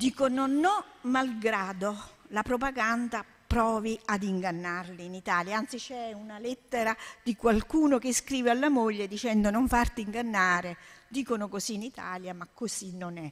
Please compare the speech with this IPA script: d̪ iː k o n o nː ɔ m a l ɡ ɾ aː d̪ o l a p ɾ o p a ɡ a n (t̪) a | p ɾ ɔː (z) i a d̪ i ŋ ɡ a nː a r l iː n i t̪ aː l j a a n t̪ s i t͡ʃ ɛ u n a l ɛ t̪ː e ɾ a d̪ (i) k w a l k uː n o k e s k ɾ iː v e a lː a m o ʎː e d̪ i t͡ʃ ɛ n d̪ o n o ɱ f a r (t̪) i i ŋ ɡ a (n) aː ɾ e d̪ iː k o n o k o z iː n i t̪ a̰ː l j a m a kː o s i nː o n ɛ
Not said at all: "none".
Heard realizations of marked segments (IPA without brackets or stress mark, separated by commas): d̪, v, i, t̪, nː